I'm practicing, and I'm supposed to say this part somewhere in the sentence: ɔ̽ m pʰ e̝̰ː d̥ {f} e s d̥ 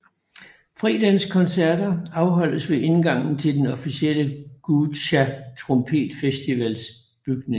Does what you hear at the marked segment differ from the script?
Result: no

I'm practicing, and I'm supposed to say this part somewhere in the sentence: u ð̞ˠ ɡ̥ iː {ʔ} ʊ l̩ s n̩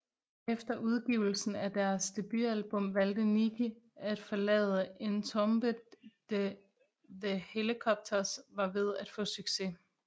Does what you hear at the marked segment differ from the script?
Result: yes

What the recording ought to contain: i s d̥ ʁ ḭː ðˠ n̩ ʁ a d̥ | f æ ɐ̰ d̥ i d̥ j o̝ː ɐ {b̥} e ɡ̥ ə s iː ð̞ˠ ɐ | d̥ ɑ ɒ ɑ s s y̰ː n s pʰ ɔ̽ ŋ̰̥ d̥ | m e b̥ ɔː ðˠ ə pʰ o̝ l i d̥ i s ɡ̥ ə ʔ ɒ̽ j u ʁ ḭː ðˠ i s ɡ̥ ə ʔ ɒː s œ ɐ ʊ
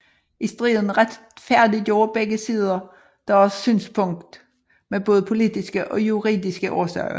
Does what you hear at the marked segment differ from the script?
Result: no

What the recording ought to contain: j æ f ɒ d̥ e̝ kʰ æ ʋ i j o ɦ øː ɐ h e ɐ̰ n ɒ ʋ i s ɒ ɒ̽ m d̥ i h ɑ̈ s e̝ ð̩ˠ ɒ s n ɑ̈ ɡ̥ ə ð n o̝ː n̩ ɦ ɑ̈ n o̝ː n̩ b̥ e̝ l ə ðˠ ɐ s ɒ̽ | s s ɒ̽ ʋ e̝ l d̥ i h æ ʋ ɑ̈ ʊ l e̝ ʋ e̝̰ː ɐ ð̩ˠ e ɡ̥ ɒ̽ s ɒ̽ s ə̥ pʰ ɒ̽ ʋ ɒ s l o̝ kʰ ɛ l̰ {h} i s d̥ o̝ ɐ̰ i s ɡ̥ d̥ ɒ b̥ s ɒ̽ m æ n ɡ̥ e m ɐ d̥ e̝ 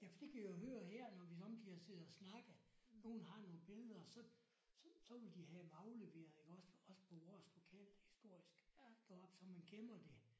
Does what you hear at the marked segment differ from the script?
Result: no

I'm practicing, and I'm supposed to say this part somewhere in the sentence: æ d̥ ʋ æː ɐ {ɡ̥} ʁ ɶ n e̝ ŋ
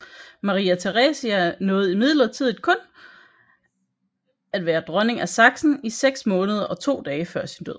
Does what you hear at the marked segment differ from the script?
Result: yes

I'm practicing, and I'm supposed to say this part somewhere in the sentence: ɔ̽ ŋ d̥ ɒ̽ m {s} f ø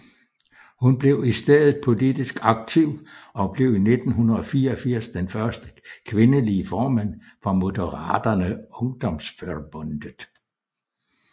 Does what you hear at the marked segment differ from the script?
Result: no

